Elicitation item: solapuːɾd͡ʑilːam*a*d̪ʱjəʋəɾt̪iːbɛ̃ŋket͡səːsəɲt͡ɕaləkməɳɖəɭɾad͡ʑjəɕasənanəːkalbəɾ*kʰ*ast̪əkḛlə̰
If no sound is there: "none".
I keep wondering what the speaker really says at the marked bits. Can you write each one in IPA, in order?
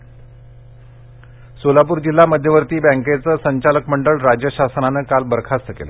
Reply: ə, kʰ

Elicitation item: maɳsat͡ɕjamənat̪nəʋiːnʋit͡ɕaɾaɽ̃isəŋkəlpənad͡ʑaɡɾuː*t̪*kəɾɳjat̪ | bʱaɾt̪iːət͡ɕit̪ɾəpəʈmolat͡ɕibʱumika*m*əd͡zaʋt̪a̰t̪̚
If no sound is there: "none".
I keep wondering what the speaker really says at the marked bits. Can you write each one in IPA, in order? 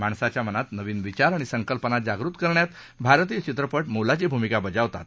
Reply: t̪, b

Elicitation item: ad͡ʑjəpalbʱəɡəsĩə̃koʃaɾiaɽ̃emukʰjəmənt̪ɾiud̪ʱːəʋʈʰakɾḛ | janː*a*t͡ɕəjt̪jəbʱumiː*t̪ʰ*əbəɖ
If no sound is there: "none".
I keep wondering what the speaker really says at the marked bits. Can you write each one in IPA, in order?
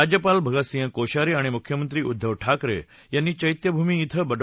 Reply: i, t̪ʰ

